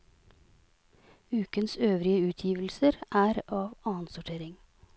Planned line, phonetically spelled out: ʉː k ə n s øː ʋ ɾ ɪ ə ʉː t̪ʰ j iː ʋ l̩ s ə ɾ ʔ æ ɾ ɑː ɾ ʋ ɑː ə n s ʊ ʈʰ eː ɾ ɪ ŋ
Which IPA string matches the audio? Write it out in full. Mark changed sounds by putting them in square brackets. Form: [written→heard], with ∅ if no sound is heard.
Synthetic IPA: ʉː k ə n s øː ʋ ɾ ɪ ə ʉː t̪ʰ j iː ʋ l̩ s ə ɾ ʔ [æ→æː] ɾ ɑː [ɾ→∅] ʋ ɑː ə n s ʊ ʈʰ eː ɾ ɪ ŋ